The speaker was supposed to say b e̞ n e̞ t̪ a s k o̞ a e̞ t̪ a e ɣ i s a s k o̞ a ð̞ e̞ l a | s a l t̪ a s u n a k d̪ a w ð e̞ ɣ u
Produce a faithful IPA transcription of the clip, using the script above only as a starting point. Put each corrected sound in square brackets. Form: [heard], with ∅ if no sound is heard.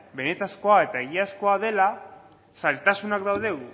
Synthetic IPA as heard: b e̞ n e̞ t̪ a s k o̞ a e̞ t̪ a e ɣ i [∅] a s k o̞ a ð̞ e̞ l a | s a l t̪ a s u n a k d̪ a w ð e̞ ɣ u

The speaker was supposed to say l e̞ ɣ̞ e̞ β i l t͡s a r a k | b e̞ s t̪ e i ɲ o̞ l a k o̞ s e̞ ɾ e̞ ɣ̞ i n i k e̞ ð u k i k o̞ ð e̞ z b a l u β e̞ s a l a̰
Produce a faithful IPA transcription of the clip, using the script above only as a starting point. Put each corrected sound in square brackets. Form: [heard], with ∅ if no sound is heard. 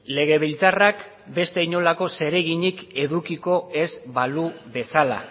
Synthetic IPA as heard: l e̞ ɣ̞ e̞ β i l t͡s a r a k | b e̞ s t̪ e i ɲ o̞ l a k o̞ s e̞ ɾ e̞ ɣ̞ i [ɲ] i k e̞ ð u k i k o̞ [∅] e̞ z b a l u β e̞ s a l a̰

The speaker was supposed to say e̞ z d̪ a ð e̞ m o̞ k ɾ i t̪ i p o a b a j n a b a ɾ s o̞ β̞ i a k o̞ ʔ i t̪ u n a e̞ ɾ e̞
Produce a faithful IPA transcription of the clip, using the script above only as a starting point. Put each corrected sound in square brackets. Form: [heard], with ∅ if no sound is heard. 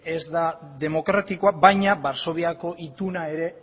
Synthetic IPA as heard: e̞ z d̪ a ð e̞ m o̞ k ɾ [a] t̪ i [k] o a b a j [ɲ] a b a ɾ s o̞ β̞ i a k o̞ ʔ i t̪ u n a e̞ ɾ e̞

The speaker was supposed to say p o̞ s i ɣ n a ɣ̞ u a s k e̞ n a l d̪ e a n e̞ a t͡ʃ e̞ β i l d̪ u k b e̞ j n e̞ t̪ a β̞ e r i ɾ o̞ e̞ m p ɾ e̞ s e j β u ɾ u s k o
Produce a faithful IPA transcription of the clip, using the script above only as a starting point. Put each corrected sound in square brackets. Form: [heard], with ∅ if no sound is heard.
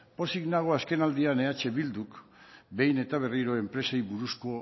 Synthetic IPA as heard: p o̞ s i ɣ n a ɣ̞ [o] a s k e̞ n a l d̪ [i] a n e̞ a t͡ʃ e̞ β i l d̪ u k b e̞ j n e̞ t̪ a β̞ e r i ɾ o̞ e̞ m p ɾ e̞ s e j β u ɾ u s k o

